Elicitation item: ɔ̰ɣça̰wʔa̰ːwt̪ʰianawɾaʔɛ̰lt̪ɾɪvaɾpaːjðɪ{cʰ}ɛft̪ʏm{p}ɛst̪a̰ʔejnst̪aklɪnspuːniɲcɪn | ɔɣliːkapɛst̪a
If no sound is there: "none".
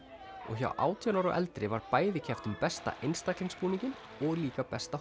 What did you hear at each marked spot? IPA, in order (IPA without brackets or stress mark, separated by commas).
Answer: cʰ, p